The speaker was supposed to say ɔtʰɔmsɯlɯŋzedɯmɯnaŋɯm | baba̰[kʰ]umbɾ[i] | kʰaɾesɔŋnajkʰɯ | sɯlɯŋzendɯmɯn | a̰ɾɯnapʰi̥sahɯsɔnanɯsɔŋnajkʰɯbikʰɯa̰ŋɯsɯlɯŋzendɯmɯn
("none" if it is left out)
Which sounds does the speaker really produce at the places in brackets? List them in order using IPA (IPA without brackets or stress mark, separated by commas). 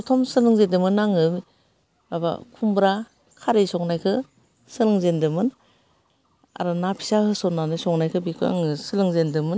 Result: kʰ, a